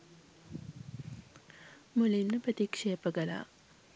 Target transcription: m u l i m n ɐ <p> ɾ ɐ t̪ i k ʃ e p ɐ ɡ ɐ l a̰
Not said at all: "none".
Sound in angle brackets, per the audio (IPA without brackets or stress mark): p